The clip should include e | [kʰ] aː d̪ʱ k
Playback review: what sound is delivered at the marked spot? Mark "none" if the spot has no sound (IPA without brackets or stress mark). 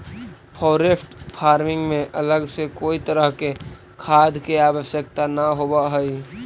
kʰ